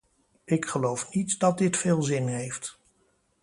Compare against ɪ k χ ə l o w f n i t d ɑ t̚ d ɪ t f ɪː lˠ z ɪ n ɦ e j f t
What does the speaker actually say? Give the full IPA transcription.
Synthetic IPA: ɪ k χ ə l o w f n i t d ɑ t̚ d ɪ t f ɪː lˠ z ɪ n ɦ e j f t